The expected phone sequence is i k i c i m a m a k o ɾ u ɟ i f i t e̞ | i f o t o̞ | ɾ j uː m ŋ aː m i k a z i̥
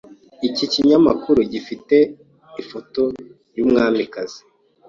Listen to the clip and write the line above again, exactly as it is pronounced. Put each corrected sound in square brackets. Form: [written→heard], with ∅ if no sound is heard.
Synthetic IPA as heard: i [k→c] i c i [m→ɲ] a m a k [o→u] ɾ u ɟ i f i t e̞ | i f o t o̞ | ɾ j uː m ŋ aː m i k a z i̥